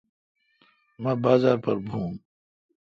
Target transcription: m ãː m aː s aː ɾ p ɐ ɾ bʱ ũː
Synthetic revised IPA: m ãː b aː z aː ɾ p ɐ ɾ bʱ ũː